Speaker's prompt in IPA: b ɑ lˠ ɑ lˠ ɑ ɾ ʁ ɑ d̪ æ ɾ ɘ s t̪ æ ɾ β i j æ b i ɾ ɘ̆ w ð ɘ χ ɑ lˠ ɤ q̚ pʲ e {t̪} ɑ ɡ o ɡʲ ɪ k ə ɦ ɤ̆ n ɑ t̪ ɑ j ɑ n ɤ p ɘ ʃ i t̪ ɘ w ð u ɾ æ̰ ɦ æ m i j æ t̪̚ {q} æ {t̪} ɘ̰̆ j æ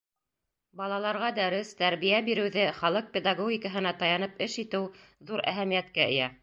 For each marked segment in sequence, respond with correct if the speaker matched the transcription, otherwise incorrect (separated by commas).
incorrect, incorrect, incorrect